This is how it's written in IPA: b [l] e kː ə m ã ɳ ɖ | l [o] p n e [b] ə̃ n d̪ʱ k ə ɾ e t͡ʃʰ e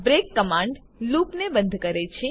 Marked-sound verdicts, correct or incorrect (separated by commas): incorrect, incorrect, correct